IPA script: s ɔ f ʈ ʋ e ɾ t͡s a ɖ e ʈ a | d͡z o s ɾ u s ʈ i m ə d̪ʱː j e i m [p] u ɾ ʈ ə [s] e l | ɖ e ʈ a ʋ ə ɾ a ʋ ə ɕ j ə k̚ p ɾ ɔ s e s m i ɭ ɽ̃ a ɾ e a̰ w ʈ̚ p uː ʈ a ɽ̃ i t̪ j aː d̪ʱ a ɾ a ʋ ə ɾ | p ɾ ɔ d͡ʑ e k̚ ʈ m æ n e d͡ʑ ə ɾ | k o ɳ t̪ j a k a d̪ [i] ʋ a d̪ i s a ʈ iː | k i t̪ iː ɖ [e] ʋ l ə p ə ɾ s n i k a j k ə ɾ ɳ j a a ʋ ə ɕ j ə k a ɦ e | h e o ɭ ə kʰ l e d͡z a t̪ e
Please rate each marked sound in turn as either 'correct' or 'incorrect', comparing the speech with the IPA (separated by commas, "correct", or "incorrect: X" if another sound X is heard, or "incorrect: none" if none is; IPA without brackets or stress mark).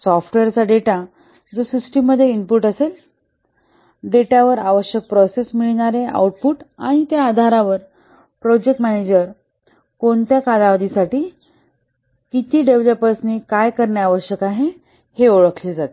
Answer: correct, correct, incorrect: a, correct